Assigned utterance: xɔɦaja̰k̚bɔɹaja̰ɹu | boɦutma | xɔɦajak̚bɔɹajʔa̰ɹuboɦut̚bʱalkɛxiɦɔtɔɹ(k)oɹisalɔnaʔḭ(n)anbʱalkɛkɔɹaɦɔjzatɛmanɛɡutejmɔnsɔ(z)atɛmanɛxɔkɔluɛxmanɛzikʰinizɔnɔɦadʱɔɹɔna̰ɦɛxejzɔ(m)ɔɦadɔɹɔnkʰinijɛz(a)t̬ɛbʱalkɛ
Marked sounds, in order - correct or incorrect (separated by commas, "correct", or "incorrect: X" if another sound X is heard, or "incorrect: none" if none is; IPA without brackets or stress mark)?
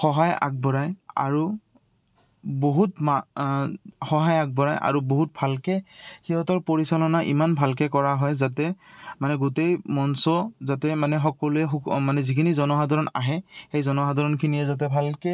incorrect: p, incorrect: m, correct, incorrect: n, correct